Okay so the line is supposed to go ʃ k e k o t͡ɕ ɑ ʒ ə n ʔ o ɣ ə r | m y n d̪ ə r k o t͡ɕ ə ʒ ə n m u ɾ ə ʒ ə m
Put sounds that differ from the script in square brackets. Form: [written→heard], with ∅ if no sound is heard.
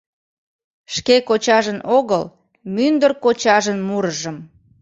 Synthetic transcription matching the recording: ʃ k e k o t͡ɕ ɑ ʒ ə n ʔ o ɣ ə [r→l] | m y n d̪ ə r k o t͡ɕ [ə→ɑ] ʒ ə n m u ɾ ə ʒ ə m